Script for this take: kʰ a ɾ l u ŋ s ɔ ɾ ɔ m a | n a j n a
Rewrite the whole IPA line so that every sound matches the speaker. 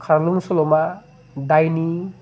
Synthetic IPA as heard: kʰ a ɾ l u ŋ s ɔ l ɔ m a | d a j n i